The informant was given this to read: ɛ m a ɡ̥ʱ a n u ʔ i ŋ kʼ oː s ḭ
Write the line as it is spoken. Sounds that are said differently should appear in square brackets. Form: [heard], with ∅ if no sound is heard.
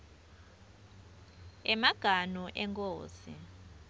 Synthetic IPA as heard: ɛ m a ɡ̥ʱ a n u ʔ [ɛ] ŋ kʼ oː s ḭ